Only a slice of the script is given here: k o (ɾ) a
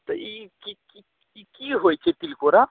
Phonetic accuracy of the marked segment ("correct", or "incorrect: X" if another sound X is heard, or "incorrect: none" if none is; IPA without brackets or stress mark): correct